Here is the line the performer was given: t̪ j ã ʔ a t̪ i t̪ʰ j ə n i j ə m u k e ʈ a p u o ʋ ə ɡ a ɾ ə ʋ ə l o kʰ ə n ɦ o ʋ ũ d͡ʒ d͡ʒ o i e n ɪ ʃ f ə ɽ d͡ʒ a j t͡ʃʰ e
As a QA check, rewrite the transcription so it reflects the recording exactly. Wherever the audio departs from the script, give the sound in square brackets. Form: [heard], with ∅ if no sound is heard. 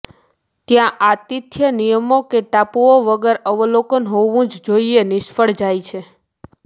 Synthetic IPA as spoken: t̪ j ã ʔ a t̪ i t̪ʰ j ə n i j ə m [o] k e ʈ a p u o ʋ ə ɡ [ə] ɾ ə ʋ ə l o [k] ə n ɦ o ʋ ũ d͡ʒ d͡ʒ o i e n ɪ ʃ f ə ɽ d͡ʒ a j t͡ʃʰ e